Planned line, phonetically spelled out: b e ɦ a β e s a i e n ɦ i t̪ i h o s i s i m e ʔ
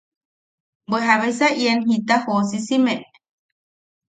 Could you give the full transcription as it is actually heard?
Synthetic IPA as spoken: b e ɦ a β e s a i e n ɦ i t̪ a h o s i s i m e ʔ